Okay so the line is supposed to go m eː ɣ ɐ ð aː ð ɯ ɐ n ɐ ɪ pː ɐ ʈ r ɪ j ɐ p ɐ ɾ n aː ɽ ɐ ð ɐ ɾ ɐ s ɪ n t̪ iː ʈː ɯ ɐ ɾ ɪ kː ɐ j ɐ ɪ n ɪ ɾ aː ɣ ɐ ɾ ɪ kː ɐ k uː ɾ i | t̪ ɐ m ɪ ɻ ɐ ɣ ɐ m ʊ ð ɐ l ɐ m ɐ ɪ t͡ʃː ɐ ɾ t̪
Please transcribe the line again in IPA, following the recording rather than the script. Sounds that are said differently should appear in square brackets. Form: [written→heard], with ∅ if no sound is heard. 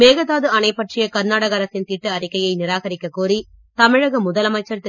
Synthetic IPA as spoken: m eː ɣ ɐ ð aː ð ɯ ɐ n ɐ ɪ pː ɐ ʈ r ɪ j ɐ [p→k] ɐ ɾ n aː ɽ ɐ [ð→ɣ] ɐ ɾ ɐ s ɪ n t̪ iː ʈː ɯ ɐ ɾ ɪ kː ɐ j ɐ ɪ n ɪ ɾ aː ɣ ɐ ɾ ɪ kː ɐ k uː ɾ i | t̪ ɐ m ɪ ɻ ɐ ɣ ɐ m ʊ ð ɐ l ɐ m ɐ ɪ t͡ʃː ɐ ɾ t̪